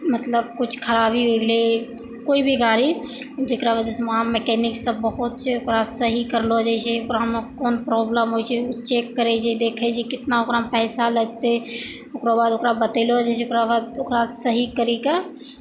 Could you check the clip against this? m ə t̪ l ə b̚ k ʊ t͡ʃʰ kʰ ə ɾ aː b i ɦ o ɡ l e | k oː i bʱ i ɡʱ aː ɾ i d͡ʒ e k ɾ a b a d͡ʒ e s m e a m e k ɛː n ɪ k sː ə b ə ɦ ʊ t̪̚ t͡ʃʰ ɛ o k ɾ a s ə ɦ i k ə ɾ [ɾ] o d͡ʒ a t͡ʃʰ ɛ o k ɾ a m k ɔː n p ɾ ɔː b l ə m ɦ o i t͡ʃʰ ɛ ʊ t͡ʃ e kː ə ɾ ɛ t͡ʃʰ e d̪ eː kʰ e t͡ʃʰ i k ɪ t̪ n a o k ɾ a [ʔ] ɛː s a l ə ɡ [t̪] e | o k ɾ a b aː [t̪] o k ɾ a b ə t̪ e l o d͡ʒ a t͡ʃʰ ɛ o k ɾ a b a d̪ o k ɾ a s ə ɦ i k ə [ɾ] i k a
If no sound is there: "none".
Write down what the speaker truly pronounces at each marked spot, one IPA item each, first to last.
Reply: l, p, t̪, d̪, ɾ

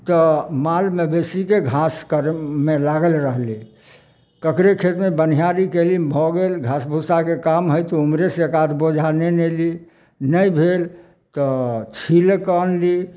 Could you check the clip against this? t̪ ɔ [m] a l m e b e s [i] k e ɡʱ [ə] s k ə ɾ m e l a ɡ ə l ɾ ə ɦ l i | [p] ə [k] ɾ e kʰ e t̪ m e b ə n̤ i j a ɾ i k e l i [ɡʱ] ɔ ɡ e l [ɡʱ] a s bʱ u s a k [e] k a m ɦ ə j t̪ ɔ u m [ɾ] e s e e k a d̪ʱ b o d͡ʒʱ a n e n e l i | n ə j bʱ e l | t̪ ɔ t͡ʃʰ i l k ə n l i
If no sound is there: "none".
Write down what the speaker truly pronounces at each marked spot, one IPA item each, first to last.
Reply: m, i, a, k, k, bʱ, ɡʱ, e, ɾ

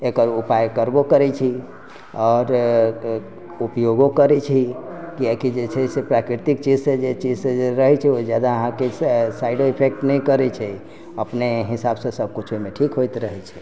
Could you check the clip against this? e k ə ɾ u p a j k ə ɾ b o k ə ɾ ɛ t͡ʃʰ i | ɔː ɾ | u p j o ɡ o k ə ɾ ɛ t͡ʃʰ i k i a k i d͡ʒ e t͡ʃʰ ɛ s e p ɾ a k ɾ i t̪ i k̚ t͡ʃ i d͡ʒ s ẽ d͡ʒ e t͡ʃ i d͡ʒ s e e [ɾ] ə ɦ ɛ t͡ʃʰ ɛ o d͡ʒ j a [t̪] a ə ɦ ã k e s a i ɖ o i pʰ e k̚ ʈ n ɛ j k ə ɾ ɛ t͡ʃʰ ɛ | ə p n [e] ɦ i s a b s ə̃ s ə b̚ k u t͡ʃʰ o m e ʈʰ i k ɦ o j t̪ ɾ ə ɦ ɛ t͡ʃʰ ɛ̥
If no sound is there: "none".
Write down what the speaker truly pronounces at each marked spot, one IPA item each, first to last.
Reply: ɾ, d̪, e

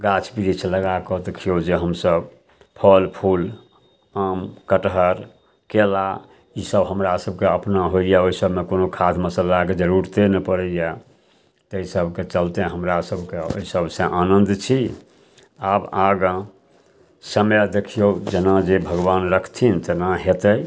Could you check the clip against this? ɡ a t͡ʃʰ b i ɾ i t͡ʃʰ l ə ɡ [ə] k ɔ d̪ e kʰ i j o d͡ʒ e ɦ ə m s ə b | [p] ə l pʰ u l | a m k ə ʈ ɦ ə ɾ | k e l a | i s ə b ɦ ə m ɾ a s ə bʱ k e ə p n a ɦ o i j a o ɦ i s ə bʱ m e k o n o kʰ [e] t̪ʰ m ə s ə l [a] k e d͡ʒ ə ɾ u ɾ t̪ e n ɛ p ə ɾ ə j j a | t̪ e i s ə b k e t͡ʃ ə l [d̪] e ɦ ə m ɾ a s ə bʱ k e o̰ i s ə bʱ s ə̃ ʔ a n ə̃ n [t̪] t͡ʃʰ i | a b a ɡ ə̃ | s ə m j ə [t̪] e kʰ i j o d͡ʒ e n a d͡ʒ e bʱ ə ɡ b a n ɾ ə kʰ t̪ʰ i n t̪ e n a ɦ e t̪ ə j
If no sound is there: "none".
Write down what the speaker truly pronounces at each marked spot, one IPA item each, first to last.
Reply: a, pʰ, a, a, t̪, d̪, d̪

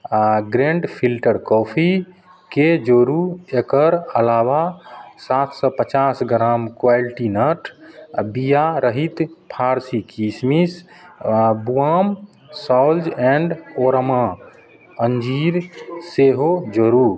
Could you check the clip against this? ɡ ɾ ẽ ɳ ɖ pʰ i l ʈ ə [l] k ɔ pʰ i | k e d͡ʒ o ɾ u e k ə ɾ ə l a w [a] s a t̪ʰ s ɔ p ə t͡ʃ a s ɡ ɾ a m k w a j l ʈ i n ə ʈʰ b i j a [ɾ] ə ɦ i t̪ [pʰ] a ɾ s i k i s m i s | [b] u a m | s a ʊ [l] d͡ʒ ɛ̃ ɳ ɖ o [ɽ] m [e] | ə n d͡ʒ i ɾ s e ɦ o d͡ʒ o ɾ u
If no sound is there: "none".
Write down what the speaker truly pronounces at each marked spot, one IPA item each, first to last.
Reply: ɾ, a, ɾ, pʰ, b, l, ɾ, a

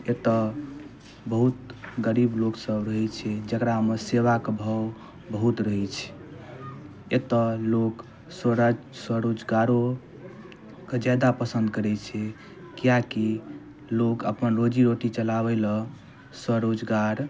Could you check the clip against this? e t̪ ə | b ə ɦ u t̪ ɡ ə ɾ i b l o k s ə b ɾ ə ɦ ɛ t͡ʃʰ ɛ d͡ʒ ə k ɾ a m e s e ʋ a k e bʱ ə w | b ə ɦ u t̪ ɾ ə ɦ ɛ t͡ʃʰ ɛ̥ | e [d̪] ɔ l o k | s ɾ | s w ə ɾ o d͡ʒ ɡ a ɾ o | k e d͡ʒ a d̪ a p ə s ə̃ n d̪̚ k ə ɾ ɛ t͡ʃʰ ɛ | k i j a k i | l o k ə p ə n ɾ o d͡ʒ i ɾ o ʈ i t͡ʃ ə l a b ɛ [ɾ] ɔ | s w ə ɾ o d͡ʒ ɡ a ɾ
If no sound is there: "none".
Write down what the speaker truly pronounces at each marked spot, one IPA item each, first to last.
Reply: t̪, l

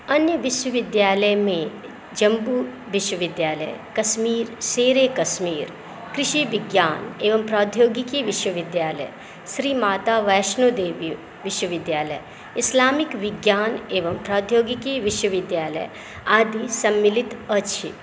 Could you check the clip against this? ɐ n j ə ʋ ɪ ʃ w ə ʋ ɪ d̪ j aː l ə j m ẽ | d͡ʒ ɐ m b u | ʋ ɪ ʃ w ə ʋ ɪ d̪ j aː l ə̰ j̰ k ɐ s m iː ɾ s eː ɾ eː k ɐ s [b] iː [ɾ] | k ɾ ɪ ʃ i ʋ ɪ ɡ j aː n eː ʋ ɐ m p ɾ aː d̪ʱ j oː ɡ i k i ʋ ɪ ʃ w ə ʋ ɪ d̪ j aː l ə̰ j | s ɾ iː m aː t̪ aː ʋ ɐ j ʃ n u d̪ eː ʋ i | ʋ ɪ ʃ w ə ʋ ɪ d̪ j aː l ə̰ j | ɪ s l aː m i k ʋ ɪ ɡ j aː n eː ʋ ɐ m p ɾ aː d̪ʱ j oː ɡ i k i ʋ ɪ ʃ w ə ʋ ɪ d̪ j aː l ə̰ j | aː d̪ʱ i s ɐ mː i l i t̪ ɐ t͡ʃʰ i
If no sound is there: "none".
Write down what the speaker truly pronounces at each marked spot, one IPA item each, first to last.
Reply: m, ɾ

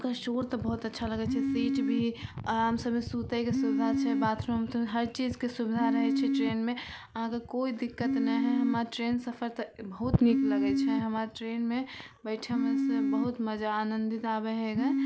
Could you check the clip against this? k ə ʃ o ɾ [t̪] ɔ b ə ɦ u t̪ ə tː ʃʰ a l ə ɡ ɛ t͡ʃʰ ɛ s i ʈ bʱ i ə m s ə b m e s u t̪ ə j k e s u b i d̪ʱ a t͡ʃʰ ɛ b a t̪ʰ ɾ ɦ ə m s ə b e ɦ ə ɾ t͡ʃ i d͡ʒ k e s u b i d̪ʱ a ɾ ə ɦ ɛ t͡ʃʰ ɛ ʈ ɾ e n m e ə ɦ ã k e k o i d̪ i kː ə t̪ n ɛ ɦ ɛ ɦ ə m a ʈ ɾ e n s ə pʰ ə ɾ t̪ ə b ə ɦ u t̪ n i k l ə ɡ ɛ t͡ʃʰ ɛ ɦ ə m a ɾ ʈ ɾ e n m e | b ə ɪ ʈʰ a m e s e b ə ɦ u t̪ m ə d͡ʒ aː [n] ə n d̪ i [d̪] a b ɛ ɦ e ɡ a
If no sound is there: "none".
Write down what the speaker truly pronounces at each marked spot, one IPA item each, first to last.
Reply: t̪, n, t̪

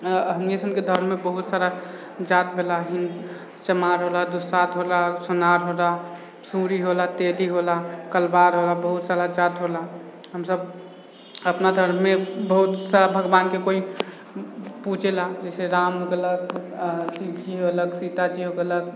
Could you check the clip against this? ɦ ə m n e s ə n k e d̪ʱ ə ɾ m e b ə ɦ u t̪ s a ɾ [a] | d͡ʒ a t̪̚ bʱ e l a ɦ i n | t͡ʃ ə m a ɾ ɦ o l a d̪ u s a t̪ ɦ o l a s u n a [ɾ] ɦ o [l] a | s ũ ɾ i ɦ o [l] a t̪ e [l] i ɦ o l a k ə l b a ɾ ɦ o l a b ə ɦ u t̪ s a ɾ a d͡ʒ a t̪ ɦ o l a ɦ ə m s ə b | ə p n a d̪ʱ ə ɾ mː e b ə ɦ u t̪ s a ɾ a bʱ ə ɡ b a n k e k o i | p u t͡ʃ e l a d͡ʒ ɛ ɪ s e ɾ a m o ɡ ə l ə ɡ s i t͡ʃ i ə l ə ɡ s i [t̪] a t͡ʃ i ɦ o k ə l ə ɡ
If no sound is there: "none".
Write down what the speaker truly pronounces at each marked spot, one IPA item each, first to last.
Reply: a, ɾ, l, l, l, t̪

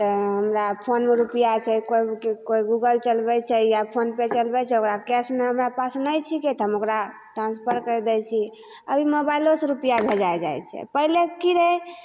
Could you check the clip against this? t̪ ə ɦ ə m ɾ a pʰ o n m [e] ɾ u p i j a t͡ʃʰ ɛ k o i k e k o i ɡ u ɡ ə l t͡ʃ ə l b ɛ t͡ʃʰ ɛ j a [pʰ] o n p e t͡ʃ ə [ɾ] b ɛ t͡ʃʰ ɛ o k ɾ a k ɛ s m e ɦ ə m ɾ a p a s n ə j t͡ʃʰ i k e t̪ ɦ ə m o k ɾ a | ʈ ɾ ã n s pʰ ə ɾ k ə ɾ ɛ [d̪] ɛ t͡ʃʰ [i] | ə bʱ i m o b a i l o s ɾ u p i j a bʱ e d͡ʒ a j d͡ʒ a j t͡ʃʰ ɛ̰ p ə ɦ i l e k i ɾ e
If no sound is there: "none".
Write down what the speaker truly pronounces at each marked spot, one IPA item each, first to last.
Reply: e, pʰ, l, d̪, i

